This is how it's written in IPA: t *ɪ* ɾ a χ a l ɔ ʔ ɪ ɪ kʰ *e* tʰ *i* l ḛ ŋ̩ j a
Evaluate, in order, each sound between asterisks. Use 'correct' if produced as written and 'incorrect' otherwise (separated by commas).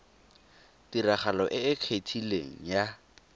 incorrect, correct, correct